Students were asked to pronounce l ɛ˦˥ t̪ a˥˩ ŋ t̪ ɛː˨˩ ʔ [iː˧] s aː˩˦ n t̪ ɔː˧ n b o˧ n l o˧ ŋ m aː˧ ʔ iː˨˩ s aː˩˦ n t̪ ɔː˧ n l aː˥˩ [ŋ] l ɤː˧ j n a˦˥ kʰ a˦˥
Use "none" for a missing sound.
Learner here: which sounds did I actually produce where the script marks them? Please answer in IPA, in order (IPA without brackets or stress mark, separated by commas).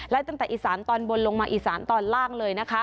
iː˨˩, ŋ